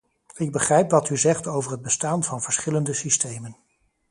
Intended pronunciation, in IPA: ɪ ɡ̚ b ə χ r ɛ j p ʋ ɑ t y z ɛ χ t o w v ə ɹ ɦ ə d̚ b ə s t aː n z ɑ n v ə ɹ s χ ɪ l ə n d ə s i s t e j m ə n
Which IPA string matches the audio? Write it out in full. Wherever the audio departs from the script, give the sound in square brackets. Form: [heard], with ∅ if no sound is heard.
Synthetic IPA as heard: ɪ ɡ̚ b ə χ r ɛ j p ʋ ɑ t y z ɛ χ t o w v ə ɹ ɦ ə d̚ b ə s t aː n [v] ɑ n v ə ɹ s χ ɪ l ə n d ə s i s t e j m ə n